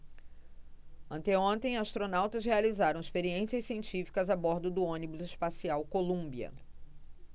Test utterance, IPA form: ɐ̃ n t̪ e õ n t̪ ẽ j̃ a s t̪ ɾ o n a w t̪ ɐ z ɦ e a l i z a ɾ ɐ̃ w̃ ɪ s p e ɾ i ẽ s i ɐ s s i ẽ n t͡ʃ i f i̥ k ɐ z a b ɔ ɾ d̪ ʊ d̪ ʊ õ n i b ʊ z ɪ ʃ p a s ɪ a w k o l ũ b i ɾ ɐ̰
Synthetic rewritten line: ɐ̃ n t̪ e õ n t̪ ẽ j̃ a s t̪ ɾ o n a w t̪ ɐ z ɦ e a l i z a ɾ ɐ̃ w̃ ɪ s p e ɾ i ẽ s i ɐ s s i ẽ n t͡ʃ i f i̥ k ɐ z a b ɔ ɾ d̪ ʊ d̪ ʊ õ n i b ʊ z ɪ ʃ p a s i a w k o l ũ b i ɐ̰